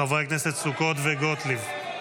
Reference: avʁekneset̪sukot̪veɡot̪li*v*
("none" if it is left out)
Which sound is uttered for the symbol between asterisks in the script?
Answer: v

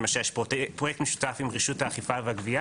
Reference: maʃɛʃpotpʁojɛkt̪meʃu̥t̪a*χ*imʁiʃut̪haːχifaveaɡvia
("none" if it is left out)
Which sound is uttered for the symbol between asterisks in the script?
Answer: f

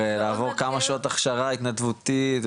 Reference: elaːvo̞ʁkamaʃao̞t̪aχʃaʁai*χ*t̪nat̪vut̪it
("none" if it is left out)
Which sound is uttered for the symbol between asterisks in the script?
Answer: none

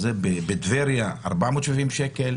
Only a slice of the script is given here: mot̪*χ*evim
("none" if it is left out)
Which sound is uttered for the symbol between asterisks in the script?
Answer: ʃ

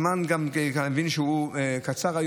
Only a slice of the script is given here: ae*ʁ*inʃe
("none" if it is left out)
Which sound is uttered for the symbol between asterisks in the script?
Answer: v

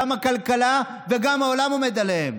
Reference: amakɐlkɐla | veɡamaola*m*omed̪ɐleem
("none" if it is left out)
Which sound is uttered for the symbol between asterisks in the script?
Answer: m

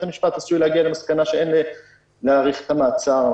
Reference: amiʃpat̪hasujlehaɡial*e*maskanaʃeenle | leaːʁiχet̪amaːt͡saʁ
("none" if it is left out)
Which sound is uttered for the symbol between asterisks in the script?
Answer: e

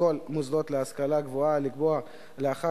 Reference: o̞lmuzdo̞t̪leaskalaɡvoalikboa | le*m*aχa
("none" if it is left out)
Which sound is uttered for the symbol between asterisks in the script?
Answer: none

